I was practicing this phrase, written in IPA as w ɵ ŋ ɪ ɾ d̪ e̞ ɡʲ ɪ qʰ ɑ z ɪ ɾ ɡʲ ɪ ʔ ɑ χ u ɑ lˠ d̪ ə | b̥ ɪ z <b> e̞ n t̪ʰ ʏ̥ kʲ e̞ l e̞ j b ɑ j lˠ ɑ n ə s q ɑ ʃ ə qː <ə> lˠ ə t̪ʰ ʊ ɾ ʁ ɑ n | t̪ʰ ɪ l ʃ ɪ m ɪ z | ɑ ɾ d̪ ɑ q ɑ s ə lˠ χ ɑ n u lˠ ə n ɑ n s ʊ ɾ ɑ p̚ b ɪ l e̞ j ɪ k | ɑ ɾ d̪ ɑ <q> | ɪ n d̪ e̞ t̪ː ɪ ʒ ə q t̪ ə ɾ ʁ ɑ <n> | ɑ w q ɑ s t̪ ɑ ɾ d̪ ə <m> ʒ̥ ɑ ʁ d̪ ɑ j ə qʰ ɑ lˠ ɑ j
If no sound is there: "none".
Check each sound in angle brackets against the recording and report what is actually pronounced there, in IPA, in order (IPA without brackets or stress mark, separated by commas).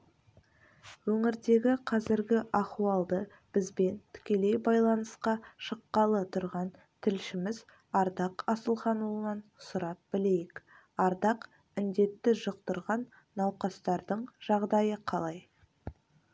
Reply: b, ɑ, q, nː, ɴ